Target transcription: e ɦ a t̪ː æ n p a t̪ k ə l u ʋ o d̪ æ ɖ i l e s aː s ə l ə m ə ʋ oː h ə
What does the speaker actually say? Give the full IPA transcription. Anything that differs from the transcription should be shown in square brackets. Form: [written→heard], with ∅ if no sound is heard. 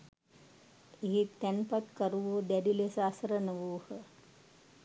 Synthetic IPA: e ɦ [a→i] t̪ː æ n p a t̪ k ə [l→ɾ] u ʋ o d̪ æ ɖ i l e s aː s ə [l→ɾ] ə [m→n] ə ʋ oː h ə